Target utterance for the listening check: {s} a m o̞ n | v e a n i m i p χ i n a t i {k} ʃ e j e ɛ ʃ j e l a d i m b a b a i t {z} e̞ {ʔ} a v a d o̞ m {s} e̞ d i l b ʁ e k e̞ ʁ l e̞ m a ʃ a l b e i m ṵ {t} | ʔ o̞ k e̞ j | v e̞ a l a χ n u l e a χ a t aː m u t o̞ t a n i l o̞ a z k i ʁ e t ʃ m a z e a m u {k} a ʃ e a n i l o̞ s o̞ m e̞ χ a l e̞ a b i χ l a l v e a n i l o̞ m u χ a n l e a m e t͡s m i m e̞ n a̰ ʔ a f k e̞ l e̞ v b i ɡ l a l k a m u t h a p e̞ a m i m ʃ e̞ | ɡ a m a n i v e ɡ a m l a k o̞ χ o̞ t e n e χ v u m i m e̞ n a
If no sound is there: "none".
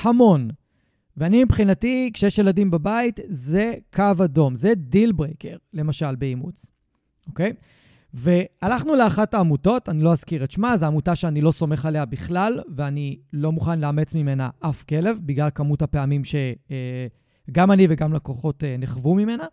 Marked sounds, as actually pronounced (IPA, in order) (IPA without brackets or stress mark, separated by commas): h, k, z, k, z, t͡s, t